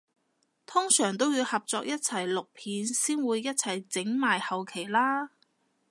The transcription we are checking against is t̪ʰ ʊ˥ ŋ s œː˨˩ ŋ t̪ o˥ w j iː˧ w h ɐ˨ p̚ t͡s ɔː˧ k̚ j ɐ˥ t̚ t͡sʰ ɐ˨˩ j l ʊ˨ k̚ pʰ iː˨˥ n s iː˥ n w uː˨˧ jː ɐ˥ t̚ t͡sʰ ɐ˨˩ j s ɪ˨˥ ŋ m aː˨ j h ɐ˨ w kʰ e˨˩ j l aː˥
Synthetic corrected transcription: t̪ʰ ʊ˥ ŋ s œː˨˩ ŋ t̪ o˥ w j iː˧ w h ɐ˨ p̚ t͡s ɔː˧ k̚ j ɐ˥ t̚ t͡sʰ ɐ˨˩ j l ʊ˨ k̚ pʰ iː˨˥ n s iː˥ n w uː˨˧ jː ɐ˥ t̚ t͡sʰ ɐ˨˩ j t͡s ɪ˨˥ ŋ m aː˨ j h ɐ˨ w kʰ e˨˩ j l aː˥